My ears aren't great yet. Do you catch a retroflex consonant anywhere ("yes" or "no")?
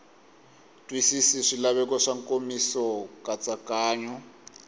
yes